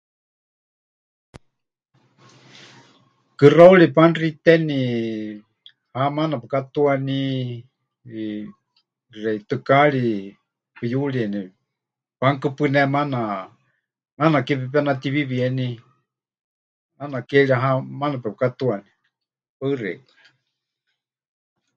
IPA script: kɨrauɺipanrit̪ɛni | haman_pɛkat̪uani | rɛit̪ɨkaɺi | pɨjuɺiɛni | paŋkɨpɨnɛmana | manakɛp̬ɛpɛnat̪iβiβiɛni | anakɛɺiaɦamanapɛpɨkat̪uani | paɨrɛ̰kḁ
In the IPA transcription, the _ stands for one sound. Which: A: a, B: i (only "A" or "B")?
A